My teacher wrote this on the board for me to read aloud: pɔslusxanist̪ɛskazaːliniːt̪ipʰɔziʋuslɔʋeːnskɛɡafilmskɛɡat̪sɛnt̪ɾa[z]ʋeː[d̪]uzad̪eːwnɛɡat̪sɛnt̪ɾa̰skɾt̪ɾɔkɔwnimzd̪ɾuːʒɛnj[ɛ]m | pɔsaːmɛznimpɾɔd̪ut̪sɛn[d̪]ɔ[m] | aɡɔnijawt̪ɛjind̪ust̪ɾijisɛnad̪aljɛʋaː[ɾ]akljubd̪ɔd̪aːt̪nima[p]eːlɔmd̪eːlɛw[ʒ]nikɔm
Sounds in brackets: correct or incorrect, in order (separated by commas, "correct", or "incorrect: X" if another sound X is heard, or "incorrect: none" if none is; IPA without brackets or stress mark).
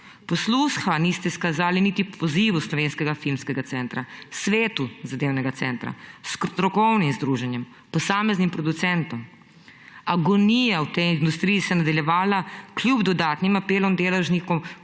incorrect: s, incorrect: t̪, correct, incorrect: t̪, correct, incorrect: l, correct, correct